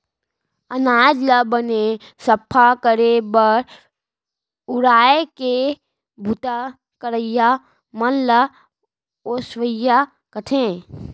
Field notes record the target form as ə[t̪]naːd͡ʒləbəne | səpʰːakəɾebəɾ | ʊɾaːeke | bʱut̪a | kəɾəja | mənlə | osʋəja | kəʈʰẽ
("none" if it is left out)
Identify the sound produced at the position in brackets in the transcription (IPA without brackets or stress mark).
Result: none